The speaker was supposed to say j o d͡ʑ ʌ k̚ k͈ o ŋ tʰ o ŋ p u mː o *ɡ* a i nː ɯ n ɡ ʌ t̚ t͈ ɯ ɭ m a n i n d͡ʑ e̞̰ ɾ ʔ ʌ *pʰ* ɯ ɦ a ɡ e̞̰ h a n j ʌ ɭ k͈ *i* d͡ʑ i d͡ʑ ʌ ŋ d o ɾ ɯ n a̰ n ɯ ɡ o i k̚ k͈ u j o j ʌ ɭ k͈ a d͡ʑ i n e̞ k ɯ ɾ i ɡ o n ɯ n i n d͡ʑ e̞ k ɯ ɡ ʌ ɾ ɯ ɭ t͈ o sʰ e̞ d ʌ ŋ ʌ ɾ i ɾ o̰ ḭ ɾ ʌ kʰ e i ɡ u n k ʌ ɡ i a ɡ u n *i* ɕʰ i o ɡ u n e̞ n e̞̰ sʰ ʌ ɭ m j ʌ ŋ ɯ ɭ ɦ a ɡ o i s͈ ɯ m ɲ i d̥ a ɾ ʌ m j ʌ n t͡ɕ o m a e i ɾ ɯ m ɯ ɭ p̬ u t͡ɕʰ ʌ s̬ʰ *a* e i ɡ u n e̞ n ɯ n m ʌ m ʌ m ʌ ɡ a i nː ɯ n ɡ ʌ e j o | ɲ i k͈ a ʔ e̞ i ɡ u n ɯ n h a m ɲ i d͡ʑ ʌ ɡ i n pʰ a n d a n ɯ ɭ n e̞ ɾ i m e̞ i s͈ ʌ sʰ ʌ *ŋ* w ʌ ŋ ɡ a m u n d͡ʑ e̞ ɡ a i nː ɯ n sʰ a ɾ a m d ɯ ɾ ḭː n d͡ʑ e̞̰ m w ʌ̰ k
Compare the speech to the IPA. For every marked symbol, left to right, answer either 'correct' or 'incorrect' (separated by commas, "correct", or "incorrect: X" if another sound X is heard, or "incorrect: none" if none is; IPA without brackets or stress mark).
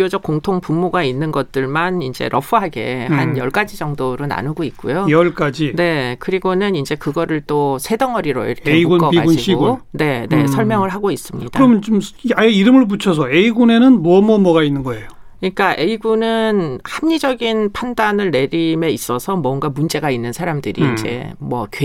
correct, correct, incorrect: a, correct, incorrect: ʌ, incorrect: m